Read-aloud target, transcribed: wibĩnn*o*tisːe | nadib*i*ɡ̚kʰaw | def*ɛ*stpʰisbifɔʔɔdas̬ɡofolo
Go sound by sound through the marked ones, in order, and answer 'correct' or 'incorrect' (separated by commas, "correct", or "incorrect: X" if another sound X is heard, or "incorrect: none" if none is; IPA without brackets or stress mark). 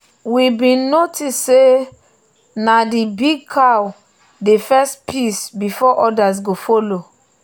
correct, correct, correct